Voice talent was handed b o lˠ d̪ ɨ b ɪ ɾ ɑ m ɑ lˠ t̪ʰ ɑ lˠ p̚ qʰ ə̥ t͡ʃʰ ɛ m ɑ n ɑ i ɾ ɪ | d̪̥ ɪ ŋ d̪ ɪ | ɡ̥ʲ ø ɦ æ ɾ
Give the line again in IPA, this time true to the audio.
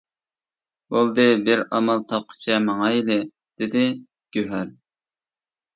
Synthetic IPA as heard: b o lˠ d̪ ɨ b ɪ ɾ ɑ m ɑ lˠ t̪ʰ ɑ p̚ qʰ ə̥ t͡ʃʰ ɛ m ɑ ŋ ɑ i l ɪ | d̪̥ ɪ d̪ ɪ | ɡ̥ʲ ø ɦ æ ɾ